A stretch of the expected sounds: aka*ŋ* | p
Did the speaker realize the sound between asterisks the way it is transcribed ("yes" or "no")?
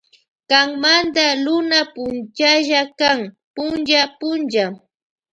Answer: yes